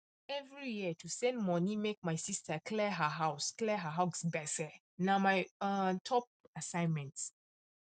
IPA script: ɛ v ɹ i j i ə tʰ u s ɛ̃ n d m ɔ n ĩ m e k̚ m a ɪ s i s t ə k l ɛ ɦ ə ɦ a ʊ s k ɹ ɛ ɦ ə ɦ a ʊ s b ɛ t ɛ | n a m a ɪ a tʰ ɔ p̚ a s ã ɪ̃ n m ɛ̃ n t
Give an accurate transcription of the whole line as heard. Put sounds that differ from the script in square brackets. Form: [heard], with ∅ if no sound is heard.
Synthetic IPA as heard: ɛ v ɹ i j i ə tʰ u s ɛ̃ n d m ɔ n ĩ m e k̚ m a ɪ s i s t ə k l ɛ ɦ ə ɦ a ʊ s k [l] ɛ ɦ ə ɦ a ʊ s b ɛ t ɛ | n a m a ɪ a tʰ ɔ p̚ a s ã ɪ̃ n m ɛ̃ n t

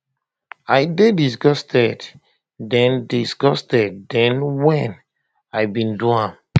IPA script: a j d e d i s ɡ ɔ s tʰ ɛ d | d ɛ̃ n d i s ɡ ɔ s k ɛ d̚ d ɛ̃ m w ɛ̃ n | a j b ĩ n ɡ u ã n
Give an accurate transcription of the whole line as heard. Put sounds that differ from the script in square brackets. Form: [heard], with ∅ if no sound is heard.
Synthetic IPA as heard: a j d e d i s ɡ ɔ s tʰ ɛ d | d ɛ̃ n d i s ɡ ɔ s [t] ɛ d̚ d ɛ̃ [n] w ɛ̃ n | a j b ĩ n [d] u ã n

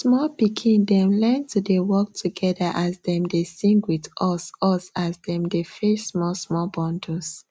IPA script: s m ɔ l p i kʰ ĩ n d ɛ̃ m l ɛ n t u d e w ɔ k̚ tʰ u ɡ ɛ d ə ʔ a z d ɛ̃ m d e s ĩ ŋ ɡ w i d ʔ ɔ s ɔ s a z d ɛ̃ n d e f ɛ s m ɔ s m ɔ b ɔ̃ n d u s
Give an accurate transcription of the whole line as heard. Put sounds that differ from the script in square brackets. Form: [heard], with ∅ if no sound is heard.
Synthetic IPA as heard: s m ɔ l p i kʰ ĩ n d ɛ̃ m l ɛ n t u d e w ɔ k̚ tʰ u ɡ ɛ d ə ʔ a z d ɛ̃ m d e s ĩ ŋ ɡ w i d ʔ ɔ s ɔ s a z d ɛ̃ [m] d e f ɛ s m ɔ s m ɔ b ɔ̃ n d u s

